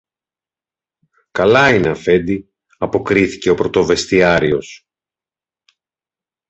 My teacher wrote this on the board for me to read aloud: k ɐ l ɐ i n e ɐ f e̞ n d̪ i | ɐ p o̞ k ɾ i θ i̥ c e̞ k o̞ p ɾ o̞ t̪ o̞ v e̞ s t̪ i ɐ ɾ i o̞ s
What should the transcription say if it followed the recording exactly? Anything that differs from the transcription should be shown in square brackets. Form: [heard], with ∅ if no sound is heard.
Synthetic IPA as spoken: k ɐ l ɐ i n e ɐ f e̞ n d̪ i | ɐ p o̞ k ɾ i θ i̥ c e̞ [∅] o̞ p ɾ o̞ t̪ o̞ v e̞ s t̪ i ɐ ɾ i o̞ s